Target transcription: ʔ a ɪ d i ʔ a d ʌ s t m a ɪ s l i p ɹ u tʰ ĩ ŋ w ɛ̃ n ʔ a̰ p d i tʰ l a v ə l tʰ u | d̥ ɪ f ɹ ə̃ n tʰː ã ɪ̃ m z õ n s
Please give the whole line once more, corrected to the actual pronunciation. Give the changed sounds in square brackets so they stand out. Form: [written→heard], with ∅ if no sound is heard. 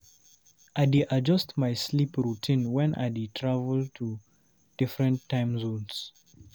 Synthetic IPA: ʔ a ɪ d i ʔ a [d→d͡ʒ] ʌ s t m a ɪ s l i p ɹ u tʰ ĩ [ŋ→n] w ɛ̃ n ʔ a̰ [p→∅] d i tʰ [l→ɹ] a v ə l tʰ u | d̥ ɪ f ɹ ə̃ n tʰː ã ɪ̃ m z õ n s